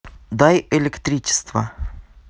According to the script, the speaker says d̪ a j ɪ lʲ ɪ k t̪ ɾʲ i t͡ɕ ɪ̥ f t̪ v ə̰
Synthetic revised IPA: d̪ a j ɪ lʲ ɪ k t̪ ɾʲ i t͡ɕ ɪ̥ s t̪ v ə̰